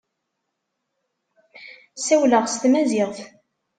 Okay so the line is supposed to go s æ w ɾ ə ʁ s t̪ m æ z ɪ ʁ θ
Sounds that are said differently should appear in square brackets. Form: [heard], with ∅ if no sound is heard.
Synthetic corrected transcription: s æ w [l] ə ʁ s t̪ m æ z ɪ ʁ θ